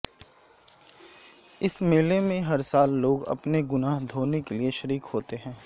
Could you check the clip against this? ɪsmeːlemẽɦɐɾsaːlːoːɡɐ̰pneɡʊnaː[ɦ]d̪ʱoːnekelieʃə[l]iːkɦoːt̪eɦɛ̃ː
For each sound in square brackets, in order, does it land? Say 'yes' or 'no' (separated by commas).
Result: yes, no